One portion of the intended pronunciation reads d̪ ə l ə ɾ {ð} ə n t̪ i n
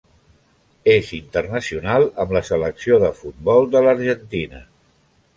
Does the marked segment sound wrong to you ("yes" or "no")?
yes